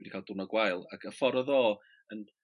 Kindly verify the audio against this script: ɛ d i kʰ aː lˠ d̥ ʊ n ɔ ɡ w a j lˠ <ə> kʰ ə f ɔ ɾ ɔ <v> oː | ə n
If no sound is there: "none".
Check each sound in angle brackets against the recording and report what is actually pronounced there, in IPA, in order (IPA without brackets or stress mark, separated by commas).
a, ð